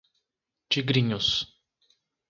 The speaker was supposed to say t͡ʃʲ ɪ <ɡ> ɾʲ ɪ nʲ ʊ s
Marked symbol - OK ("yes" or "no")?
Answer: yes